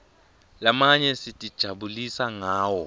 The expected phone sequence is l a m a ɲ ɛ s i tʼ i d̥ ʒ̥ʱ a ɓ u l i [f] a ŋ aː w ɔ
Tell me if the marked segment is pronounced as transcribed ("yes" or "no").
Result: no